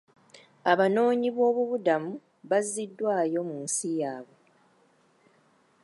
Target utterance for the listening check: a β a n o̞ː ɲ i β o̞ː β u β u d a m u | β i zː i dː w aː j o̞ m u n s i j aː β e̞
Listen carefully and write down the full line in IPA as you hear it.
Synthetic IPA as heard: a β a n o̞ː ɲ i β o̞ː β u β u d a m u | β a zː i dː w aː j o̞ m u n s i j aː β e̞